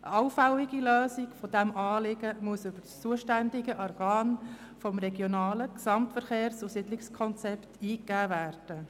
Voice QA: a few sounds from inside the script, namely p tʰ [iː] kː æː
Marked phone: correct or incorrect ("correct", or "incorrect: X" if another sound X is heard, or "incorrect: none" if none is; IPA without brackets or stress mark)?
correct